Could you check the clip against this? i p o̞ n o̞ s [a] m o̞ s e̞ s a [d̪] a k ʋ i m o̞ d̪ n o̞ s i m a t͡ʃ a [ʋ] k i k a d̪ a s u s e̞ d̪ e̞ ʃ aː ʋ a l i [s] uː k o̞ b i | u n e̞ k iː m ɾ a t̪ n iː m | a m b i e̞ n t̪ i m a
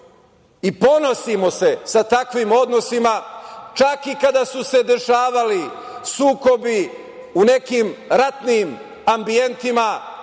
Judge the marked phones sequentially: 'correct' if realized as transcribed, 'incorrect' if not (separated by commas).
incorrect, incorrect, incorrect, correct